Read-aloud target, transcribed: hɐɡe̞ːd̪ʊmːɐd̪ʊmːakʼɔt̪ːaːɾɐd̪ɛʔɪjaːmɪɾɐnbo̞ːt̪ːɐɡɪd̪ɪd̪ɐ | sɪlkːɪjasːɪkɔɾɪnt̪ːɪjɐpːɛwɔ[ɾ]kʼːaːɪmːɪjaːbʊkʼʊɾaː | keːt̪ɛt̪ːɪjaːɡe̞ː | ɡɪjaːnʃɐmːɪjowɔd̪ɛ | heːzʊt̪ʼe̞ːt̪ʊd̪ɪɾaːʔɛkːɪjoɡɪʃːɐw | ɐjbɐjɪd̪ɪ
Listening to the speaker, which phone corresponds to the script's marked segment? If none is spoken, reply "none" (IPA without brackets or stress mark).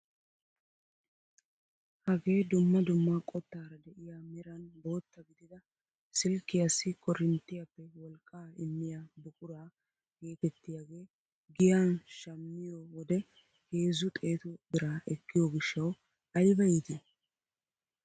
l